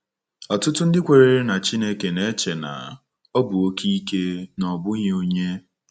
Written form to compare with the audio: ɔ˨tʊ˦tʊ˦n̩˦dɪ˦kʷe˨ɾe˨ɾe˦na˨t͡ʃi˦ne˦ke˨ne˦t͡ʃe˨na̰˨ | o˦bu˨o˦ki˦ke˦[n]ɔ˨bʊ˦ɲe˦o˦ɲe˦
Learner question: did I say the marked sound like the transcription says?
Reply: yes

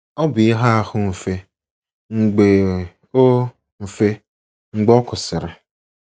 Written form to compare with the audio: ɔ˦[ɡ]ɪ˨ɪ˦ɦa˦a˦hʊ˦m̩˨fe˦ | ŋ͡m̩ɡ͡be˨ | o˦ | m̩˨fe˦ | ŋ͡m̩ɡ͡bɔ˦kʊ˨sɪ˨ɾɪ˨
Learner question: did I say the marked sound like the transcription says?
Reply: no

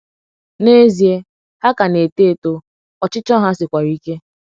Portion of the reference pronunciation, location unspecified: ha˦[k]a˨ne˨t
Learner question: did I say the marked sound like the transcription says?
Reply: yes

